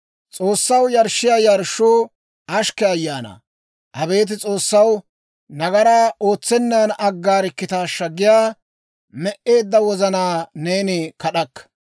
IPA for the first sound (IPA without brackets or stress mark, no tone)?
t͡sʼ